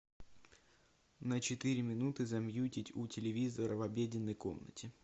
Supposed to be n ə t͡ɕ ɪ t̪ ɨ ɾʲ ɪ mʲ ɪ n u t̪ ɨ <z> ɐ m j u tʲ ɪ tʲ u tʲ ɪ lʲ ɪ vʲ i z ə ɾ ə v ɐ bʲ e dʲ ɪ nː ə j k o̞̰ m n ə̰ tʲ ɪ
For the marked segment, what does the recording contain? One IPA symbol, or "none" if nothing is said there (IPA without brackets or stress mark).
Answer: z